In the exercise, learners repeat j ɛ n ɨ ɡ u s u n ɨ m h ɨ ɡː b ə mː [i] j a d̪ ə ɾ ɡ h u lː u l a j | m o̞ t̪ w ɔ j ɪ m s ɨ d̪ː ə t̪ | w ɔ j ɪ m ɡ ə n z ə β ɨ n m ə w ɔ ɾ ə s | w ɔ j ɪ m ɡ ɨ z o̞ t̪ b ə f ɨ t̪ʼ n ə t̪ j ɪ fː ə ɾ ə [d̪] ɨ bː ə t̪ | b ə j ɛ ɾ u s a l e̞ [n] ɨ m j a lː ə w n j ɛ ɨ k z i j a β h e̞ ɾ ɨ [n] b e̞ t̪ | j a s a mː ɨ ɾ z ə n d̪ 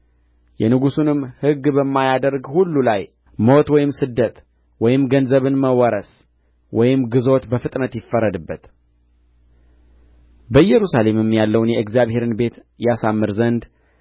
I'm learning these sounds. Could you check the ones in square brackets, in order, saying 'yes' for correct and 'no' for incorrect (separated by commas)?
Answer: no, yes, no, yes